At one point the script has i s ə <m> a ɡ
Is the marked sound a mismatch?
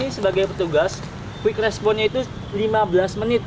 yes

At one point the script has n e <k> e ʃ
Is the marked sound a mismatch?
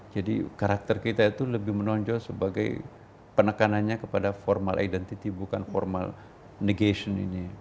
yes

